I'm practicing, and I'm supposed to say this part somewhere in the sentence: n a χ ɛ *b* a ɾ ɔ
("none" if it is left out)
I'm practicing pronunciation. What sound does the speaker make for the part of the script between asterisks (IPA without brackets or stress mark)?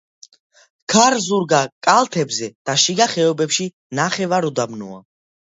v